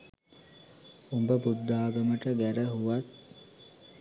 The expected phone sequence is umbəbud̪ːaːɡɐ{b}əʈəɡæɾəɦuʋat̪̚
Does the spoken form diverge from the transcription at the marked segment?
yes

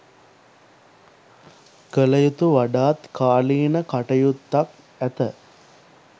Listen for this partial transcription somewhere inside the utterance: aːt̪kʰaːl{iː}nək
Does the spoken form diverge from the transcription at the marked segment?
no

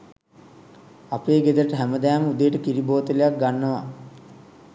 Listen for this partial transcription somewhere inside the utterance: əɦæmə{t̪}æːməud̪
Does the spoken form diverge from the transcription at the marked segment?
yes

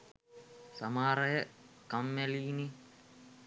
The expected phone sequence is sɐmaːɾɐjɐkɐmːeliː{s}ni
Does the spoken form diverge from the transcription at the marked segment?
yes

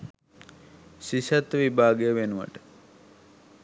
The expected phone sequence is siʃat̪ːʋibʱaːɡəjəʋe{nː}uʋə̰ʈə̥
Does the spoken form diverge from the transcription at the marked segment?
yes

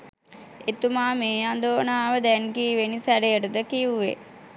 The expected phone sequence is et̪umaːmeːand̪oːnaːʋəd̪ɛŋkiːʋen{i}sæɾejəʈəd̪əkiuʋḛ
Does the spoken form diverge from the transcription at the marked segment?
no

